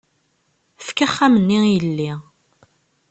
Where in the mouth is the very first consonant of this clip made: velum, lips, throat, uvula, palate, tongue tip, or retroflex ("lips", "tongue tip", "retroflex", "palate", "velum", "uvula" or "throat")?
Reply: lips